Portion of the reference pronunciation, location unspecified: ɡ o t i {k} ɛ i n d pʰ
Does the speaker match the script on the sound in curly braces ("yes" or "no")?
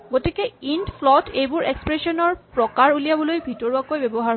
yes